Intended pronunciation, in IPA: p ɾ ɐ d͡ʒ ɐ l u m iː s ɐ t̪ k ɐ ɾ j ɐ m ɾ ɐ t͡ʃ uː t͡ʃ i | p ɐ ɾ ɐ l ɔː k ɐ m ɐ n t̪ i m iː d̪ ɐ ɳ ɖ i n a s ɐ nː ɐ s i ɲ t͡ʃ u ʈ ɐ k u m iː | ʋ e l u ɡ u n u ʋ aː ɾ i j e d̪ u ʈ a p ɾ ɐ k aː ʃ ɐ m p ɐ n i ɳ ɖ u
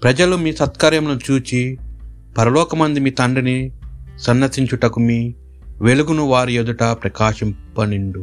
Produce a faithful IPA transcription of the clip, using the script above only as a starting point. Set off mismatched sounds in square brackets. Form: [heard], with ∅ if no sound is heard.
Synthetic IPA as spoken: p ɾ ɐ d͡ʒ ɐ l u m iː s ɐ t̪ k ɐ ɾ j ɐ m [l] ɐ t͡ʃ uː t͡ʃ i | p ɐ ɾ ɐ l ɔː k ɐ m ɐ n [d̪] i m iː [t̪] ɐ ɳ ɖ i n [i] s ɐ nː ɐ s i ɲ t͡ʃ u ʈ ɐ k u m iː | ʋ e l u ɡ u n u ʋ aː ɾ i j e d̪ u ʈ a p ɾ ɐ k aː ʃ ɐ m p ɐ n i ɳ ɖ u